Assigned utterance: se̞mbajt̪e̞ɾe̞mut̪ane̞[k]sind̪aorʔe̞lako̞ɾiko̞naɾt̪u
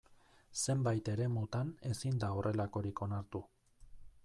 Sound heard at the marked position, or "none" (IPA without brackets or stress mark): none